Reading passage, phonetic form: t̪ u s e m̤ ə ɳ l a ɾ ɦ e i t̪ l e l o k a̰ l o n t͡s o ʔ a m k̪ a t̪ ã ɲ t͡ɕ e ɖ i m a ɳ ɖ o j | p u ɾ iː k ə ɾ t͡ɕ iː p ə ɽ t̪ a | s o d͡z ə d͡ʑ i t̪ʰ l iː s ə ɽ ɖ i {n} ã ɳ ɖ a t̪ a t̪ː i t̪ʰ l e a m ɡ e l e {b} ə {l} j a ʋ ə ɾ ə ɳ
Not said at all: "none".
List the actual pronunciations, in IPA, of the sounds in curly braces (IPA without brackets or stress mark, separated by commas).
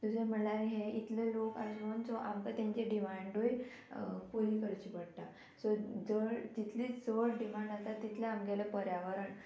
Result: m, p, ɾ